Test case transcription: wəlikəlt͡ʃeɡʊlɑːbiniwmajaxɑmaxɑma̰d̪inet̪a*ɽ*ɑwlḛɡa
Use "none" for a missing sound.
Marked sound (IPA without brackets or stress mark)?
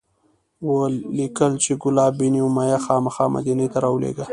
ɾ